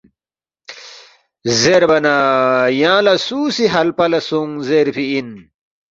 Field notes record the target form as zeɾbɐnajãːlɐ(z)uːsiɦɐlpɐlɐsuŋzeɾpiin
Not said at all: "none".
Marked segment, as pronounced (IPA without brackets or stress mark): s